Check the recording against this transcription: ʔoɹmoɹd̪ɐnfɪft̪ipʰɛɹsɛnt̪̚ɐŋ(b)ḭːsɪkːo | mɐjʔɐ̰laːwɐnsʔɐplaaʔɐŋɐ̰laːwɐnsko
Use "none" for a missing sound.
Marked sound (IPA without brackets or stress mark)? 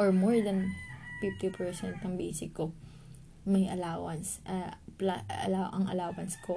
b